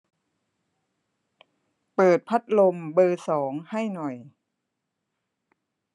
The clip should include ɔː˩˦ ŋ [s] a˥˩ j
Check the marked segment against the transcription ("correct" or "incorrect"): incorrect